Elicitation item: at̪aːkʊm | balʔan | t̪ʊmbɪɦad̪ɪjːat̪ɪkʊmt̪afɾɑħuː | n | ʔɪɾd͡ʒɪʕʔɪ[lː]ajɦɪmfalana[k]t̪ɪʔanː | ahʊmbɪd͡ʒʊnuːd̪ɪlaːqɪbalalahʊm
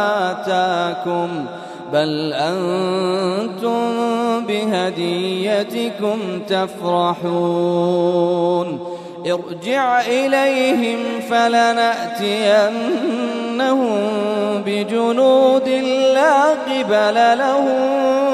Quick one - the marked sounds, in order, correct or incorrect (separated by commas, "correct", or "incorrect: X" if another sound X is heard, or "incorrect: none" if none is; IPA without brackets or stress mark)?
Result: incorrect: l, incorrect: ʔ